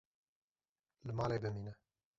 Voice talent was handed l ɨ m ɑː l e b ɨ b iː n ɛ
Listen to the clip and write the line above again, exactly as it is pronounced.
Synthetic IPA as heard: l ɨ m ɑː l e b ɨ m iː n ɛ